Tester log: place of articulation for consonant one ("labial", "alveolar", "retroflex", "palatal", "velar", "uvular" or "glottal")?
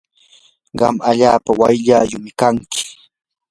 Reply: uvular